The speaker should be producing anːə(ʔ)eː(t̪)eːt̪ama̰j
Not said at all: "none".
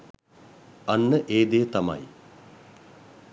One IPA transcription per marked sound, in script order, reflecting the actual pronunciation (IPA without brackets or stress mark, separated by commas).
ʔ, d̪